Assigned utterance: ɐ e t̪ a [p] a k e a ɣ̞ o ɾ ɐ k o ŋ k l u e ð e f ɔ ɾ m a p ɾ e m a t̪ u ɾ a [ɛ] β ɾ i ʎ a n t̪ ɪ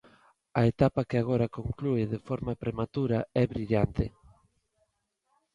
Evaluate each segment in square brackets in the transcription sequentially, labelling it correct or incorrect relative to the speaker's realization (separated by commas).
correct, correct